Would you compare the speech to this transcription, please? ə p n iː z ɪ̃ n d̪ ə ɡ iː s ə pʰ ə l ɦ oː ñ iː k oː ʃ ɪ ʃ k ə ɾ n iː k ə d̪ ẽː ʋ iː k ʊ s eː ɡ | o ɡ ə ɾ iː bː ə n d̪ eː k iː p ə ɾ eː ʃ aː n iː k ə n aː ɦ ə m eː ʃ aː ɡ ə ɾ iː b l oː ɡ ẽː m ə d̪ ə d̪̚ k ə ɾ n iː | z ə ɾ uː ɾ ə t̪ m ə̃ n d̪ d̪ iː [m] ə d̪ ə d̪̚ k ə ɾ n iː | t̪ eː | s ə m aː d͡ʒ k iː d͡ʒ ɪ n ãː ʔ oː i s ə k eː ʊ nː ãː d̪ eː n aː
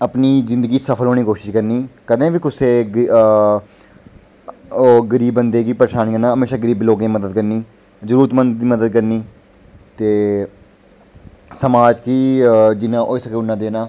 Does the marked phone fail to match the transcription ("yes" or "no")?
no